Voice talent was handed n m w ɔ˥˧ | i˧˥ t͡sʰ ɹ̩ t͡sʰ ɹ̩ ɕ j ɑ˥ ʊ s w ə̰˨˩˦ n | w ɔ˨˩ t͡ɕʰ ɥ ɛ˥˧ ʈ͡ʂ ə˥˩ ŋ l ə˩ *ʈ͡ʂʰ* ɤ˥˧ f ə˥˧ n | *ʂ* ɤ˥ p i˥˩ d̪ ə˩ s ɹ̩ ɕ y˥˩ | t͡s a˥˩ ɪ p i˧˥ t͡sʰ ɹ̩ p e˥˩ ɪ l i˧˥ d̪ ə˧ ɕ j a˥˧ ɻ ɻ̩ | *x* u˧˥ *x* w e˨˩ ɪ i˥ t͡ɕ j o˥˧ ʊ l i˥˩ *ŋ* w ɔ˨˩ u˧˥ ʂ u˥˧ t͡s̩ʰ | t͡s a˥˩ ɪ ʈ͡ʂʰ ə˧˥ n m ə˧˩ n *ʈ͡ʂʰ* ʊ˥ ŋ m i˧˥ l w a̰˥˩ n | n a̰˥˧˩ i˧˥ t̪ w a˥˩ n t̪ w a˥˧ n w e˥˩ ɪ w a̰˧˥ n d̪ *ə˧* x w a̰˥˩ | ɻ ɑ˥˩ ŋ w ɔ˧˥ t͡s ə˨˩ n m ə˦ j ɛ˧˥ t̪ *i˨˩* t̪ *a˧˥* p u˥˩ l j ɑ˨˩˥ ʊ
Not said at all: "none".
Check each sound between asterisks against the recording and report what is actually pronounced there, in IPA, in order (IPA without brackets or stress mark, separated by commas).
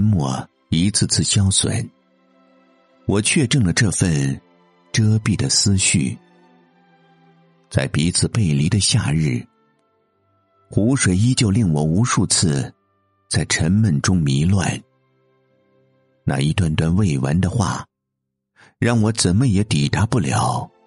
ʈ͡ʂ, ʈ͡ʂ, x, ʂ, ŋ, ʈ͡ʂ, ə˧, i˨˩, a˧˥